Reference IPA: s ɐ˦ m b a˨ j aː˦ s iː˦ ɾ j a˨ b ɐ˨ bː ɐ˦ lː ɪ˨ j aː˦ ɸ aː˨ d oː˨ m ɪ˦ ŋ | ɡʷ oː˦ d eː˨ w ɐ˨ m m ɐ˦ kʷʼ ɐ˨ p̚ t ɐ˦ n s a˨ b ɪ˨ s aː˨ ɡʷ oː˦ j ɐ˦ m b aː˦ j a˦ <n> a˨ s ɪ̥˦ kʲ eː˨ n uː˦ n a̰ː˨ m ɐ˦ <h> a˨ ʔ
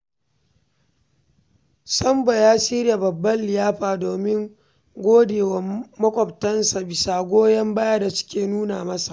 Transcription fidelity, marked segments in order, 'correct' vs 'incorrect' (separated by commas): incorrect, incorrect